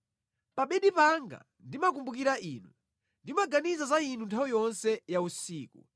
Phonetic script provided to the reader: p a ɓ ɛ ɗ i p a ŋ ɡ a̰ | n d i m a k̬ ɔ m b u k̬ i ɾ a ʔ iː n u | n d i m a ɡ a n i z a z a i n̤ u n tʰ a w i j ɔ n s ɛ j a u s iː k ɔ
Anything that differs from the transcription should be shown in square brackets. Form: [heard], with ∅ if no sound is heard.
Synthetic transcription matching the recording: p a ɓ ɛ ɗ i p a ŋ ɡ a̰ | n d i m a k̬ [u] m b u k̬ i ɾ a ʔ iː n u | n d i m a ɡ a n i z a z a i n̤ u n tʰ a w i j ɔ n s ɛ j a u s iː k [u]